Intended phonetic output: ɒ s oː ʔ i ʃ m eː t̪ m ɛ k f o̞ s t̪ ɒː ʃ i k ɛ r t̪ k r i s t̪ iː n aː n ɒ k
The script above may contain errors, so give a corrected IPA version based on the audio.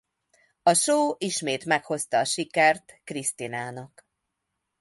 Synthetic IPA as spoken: ɒ ʃ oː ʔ i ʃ m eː t̪ m ɛ k h o̞ s t̪ ɒː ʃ i k ɛ r t̪ k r i s t̪ i n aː n ɒ k